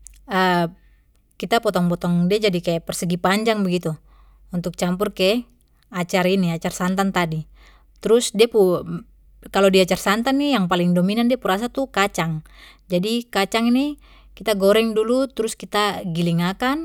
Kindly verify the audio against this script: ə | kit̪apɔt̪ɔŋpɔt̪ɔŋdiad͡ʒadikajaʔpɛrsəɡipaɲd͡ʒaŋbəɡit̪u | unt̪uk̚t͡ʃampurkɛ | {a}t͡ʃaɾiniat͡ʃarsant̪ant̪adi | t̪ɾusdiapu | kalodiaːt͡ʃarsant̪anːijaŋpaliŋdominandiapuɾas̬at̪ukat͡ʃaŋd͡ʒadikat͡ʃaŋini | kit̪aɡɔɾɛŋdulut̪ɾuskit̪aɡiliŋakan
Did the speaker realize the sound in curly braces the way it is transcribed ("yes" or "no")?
yes